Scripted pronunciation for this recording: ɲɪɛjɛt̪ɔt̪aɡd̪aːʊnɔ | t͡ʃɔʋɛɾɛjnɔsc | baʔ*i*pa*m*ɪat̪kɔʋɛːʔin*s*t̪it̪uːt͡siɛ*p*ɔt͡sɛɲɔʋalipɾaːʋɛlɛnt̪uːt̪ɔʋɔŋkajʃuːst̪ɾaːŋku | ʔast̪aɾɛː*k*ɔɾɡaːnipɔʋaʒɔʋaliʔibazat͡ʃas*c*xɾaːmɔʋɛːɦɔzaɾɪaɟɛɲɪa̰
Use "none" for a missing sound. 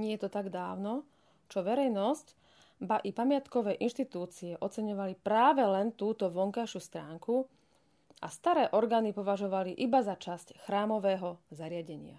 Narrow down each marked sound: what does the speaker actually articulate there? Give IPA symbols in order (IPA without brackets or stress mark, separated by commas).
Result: i, m, ʃ, ʔ, ʔ, c